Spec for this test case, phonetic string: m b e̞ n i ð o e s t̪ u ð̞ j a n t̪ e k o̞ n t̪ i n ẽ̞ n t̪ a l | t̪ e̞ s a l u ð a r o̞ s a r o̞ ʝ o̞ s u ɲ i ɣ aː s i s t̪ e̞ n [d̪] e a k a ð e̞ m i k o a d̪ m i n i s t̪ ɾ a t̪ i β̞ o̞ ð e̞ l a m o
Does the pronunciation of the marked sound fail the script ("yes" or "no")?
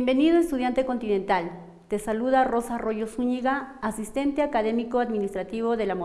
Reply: yes